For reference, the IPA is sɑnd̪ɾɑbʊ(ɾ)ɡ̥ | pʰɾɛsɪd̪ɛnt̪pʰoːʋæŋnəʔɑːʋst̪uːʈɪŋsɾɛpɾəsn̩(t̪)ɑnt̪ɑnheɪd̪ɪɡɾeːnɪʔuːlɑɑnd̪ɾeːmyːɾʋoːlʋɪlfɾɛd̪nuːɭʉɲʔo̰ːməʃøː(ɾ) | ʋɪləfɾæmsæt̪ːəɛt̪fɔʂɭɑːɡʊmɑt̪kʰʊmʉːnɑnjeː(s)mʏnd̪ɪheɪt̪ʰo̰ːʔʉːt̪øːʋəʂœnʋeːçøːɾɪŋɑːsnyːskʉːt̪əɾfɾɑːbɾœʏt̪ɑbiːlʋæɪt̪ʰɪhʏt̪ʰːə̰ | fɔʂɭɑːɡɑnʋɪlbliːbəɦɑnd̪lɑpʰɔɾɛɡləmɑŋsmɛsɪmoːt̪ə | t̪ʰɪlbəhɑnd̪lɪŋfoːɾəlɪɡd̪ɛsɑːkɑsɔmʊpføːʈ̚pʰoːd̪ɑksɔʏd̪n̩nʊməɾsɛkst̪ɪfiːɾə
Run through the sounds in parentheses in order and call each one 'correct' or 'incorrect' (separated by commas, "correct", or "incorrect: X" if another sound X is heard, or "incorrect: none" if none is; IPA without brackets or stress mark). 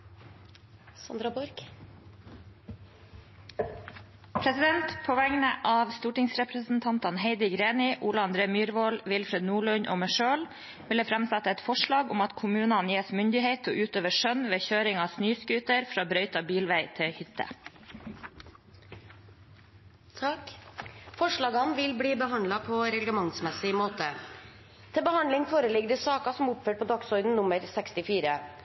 correct, incorrect: t̪ʰ, incorrect: l, correct